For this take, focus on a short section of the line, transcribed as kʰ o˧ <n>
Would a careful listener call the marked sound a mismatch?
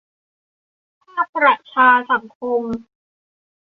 yes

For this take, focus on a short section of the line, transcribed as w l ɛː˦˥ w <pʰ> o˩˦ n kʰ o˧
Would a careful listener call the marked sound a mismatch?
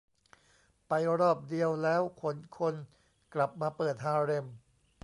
yes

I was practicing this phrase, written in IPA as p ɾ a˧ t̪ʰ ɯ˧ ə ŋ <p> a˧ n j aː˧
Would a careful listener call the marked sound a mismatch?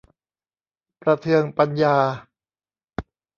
no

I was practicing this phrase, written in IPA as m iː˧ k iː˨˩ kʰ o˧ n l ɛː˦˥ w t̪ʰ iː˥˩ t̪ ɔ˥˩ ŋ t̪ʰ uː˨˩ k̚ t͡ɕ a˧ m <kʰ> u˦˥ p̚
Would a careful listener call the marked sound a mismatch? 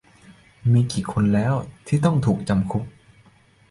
no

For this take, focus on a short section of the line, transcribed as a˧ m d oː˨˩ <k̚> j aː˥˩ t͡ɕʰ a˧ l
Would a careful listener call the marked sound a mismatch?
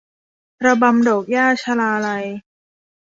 no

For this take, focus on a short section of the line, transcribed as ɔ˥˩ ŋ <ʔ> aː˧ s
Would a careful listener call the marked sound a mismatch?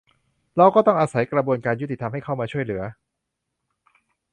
no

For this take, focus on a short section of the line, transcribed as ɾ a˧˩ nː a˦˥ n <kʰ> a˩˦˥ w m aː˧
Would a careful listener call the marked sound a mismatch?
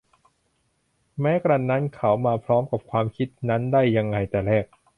no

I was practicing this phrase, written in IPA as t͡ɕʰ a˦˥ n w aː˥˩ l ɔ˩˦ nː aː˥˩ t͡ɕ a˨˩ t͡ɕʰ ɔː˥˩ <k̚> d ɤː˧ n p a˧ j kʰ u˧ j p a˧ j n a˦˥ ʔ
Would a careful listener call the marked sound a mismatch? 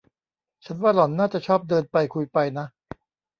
yes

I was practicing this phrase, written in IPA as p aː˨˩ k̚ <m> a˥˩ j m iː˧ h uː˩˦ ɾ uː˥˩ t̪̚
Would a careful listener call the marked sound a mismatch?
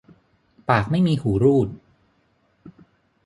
no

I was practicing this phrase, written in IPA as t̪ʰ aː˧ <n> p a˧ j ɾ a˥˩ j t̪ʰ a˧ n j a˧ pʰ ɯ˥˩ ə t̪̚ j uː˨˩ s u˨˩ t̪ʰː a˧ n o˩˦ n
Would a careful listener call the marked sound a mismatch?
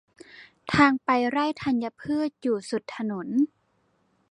yes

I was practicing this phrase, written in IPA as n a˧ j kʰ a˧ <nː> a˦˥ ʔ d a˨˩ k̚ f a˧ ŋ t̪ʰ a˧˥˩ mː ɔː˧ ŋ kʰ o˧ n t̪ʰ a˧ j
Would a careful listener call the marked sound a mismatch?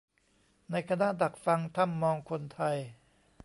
yes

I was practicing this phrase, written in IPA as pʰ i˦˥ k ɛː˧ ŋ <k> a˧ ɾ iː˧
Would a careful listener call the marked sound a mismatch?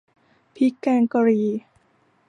no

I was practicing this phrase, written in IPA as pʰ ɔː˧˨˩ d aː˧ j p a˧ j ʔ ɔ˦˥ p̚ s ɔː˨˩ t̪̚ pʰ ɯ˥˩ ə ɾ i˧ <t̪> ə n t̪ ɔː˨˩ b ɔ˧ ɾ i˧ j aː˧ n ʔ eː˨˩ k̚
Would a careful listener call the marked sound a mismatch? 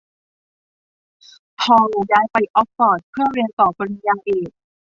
yes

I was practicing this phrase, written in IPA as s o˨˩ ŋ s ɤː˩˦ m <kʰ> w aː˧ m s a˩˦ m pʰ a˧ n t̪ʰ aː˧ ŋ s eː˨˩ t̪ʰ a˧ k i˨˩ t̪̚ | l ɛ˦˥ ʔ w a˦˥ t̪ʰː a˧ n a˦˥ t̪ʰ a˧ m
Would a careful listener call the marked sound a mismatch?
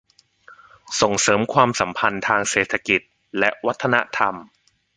no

